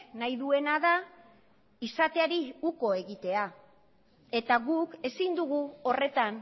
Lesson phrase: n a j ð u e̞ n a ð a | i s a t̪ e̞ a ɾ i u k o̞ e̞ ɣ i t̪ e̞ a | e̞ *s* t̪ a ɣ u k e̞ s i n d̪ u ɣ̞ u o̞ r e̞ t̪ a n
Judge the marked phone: incorrect: none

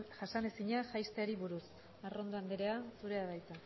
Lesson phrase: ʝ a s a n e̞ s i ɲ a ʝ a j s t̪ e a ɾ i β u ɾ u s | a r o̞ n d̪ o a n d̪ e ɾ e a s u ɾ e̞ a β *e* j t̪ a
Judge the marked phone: incorrect: a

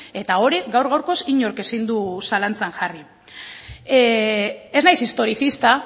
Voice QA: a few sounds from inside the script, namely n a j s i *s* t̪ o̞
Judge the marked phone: correct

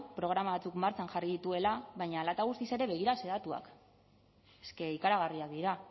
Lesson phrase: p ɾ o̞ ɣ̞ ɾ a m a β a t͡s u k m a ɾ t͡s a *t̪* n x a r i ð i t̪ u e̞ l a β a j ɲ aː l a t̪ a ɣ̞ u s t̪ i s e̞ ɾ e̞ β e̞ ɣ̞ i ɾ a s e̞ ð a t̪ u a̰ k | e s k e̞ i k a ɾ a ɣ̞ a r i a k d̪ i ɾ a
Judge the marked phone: incorrect: none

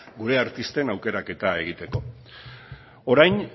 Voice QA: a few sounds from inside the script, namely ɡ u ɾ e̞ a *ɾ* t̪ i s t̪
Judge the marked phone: correct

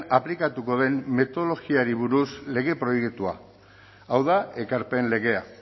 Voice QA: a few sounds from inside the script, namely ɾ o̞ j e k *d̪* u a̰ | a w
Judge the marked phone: incorrect: t̪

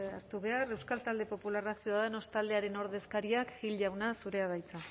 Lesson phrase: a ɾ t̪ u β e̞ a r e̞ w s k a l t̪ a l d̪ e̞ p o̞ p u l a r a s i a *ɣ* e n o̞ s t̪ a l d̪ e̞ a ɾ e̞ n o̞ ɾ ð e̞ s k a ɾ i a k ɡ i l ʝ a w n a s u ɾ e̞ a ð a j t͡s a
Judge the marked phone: incorrect: ð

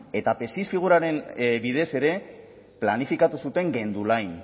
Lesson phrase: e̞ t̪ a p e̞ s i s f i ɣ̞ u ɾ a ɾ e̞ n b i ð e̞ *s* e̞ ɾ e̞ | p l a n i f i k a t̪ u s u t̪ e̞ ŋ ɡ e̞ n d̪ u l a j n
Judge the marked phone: correct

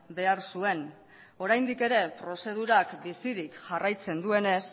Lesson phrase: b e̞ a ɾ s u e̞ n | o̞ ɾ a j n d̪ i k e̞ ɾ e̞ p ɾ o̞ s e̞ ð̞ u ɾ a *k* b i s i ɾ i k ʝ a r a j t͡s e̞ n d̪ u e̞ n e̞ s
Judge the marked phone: correct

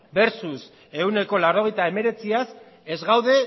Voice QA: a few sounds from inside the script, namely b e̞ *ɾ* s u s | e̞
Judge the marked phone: correct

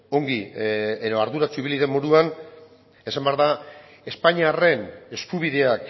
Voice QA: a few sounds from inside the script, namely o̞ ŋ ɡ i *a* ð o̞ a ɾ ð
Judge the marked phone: incorrect: e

